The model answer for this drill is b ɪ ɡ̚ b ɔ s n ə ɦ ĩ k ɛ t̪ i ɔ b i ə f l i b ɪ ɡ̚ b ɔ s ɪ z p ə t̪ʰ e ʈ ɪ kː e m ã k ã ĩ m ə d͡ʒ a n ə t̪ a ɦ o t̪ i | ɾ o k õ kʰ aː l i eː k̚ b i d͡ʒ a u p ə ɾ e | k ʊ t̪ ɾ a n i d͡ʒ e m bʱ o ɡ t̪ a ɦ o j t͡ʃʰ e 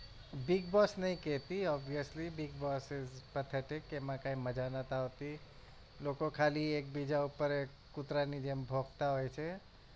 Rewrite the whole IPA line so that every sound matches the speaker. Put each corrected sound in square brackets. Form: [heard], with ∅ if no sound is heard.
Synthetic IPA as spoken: b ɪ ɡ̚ b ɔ s n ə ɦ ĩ k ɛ t̪ i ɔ b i ə [s] l i b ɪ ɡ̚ b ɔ s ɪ z p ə t̪ʰ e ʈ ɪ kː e m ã k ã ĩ m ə d͡ʒ a n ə t̪ a ɦ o t̪ i | [l] o k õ kʰ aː l i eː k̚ b i d͡ʒ a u p ə ɾ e | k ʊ t̪ ɾ a n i d͡ʒ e m bʱ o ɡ t̪ a ɦ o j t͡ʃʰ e